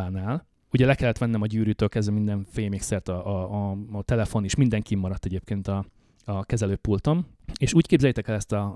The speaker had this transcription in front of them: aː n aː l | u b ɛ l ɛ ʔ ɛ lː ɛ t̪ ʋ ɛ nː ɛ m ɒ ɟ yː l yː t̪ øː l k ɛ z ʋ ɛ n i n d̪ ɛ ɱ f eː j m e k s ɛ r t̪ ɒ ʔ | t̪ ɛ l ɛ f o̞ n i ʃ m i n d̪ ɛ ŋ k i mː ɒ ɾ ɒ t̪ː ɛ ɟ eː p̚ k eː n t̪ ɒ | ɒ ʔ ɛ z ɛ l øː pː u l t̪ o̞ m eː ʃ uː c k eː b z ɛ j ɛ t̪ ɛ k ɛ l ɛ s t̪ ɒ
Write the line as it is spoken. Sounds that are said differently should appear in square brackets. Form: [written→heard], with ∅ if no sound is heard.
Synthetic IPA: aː n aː l | u [b→ɟ] ɛ l ɛ [ʔ→k] ɛ lː ɛ t̪ ʋ ɛ nː ɛ m ɒ ɟ yː [l→ɾ] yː t̪ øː l k ɛ z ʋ ɛ [n→m] i n d̪ ɛ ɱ f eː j m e k s ɛ r t̪ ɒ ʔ | t̪ ɛ l ɛ f o̞ n i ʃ m i n d̪ ɛ ŋ k i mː ɒ ɾ ɒ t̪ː ɛ ɟ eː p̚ k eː n t̪ ɒ | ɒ [ʔ→k] ɛ z ɛ l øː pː u l t̪ o̞ m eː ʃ uː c k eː b z ɛ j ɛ t̪ ɛ k ɛ l ɛ s t̪ ɒ